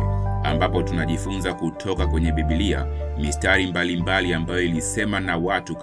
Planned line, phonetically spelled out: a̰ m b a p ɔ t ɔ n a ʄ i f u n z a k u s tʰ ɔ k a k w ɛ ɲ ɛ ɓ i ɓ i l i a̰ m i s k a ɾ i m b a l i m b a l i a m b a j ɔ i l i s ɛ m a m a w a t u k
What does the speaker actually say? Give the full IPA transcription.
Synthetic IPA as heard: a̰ m b a p ɔ t u n a ʄ i f u n z a k u tʰ ɔ k a k w ɛ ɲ ɛ ɓ i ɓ i l i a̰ m i s t a ɾ i m b a l i m b a l i a m b a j ɔ i l i s ɛ m a n a w a t u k